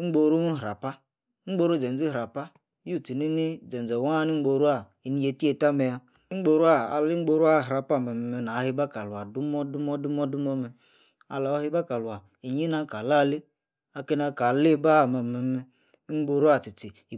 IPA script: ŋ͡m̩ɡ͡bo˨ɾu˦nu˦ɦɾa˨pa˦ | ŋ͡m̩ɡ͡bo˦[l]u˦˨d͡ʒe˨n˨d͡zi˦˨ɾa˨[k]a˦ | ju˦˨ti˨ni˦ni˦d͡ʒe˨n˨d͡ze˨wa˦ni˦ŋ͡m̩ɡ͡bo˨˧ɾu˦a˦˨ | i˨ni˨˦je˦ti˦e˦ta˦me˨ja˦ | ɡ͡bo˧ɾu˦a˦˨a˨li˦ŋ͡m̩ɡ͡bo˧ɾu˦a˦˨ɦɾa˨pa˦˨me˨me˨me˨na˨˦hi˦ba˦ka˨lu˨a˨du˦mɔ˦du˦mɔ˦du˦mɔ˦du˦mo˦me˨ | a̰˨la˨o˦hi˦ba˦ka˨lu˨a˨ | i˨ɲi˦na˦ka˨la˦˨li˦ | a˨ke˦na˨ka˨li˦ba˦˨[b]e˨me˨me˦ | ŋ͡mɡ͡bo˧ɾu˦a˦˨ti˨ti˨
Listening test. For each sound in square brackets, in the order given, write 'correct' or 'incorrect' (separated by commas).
incorrect, incorrect, incorrect